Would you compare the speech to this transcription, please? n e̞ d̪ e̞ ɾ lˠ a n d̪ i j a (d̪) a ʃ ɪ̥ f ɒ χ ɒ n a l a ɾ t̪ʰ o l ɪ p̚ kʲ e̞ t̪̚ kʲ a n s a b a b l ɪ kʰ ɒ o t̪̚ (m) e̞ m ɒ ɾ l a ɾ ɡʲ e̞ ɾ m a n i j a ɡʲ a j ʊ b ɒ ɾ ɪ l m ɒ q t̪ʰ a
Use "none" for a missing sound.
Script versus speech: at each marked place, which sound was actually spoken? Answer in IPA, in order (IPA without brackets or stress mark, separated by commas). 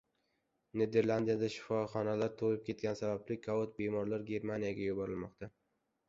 d̪, b